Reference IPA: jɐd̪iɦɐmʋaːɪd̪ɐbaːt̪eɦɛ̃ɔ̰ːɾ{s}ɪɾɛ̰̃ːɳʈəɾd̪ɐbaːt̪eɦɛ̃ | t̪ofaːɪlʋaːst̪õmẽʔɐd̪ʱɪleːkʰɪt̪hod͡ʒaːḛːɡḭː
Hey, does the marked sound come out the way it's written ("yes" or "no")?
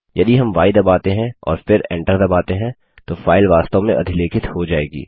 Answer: no